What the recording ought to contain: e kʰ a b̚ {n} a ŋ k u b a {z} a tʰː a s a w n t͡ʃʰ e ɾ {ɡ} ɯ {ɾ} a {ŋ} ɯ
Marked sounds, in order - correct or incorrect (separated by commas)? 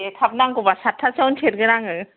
correct, incorrect, correct, correct, correct